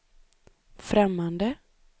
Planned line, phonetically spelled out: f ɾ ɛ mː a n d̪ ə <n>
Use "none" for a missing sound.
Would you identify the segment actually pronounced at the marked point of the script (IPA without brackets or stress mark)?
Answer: none